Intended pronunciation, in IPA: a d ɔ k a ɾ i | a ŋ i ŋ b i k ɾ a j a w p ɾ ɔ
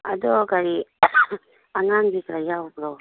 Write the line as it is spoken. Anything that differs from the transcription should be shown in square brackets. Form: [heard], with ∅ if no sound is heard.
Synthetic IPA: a d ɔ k a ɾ i | a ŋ [a] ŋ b i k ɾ a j a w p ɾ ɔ